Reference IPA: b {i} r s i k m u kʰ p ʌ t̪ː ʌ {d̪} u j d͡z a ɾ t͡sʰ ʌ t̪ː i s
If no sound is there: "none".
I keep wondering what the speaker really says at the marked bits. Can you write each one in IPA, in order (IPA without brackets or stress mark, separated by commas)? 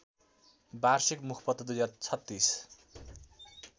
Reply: a, d̪